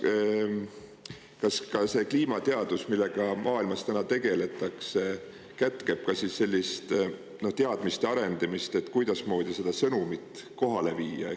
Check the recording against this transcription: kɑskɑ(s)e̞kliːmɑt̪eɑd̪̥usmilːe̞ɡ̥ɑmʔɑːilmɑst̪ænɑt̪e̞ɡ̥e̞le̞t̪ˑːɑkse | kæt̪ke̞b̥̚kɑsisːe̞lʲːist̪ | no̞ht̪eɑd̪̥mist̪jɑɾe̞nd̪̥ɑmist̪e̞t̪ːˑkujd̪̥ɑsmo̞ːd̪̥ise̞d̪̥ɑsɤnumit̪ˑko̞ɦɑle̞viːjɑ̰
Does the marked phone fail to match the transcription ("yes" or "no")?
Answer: no